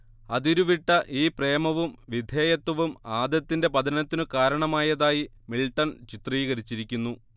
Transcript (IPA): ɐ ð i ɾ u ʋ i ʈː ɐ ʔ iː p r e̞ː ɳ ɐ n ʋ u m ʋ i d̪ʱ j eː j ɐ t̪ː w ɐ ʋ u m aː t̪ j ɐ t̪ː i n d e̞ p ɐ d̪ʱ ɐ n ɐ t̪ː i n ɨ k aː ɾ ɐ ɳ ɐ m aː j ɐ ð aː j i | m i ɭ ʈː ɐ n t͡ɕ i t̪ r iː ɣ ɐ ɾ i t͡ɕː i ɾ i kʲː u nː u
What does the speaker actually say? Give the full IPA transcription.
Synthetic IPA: ɐ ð i ɾ u ʋ i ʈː ɐ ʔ iː p r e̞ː m ɐ ʋ u m ʋ i d̪ʱ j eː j ɐ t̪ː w ɐ ʋ u m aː d̪ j ɐ t̪ː i n d e̞ p ɐ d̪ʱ ɐ n ɐ t̪ː i n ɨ k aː ɾ ɐ ɳ ɐ m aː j ɐ ð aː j i | m i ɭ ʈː ɐ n t͡ɕ i t̪ r iː ɣ ɐ ɾ i t͡ɕː i ɾ i kʲː u nː u

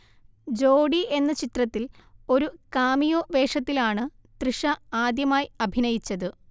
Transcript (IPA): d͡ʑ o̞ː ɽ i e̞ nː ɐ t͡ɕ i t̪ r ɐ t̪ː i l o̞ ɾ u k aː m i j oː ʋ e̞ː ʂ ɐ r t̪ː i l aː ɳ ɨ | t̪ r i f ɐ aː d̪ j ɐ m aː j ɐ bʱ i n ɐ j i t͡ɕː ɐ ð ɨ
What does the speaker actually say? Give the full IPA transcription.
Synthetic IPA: d͡ʑ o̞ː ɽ i e̞ nː ɐ t͡ɕ i t̪ r ɐ t̪ː i l o̞ ɾ u k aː m i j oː ʋ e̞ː ʂ ɐ t̪ː i l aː ɳ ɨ | t̪ r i ʂ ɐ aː d̪ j ɐ m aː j ɐ bʱ i n ɐ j i t͡ɕː ɐ ð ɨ

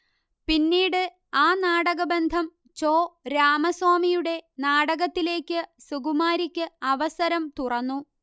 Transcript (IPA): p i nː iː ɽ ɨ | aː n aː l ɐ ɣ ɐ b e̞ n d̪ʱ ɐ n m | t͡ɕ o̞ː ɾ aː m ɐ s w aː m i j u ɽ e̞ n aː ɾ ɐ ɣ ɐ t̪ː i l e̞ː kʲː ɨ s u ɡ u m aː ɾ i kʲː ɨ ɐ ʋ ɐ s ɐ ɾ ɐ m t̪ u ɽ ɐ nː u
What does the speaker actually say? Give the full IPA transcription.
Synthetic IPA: p i nː iː ɽ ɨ | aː n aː ɽ ɐ ɣ ɐ b e̞ n d̪ʱ ɐ m | t͡ɕ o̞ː ɾ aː m ɐ s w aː m i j u ɽ e̞ n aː ɽ ɐ ɣ ɐ t̪ː i l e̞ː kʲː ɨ s u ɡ u m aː ɾ i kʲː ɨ ɐ ʋ ɐ s ɐ ɾ ɐ m t̪ u r ɐ nː u

